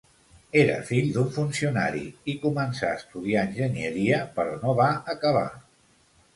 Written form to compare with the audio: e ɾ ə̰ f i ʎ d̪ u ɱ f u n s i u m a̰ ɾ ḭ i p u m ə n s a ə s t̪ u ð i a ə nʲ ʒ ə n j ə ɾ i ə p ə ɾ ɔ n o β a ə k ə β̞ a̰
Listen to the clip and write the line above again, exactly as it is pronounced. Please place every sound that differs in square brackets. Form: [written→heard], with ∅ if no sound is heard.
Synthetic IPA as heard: e ɾ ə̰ f i ʎ d̪ u ɱ f u n s i u [m→n] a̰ ɾ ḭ i [p→k] u m ə n s a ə s t̪ u ð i a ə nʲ ʒ ə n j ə ɾ i ə p ə ɾ ɔ n o β a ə k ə β̞ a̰